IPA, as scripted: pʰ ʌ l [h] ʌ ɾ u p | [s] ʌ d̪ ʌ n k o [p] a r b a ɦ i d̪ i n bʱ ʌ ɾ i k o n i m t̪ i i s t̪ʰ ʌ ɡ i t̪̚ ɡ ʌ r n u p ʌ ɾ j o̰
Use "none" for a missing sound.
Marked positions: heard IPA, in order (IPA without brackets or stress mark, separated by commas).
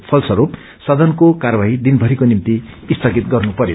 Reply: s, s, k